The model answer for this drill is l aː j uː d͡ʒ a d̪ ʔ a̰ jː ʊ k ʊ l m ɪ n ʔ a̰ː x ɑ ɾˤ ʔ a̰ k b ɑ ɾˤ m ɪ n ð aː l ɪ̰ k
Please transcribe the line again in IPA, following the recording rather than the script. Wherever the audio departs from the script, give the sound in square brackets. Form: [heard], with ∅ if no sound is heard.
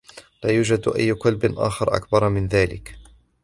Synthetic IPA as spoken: l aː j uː d͡ʒ a d̪ ʔ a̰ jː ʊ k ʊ l [b] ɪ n ʔ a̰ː x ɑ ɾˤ ʔ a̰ k b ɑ ɾˤ m ɪ n ð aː l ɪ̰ k